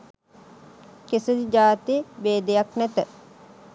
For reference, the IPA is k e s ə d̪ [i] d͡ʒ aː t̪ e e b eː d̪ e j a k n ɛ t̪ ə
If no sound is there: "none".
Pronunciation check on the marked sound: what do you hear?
i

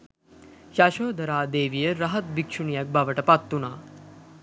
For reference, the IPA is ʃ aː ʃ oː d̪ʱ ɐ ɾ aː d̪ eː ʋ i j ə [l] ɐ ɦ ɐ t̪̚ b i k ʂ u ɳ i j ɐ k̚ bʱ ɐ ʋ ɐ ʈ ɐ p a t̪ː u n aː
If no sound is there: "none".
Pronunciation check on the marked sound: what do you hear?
ɾ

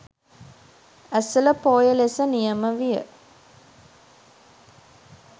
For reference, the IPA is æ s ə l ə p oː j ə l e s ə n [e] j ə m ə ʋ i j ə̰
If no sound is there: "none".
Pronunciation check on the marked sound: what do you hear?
i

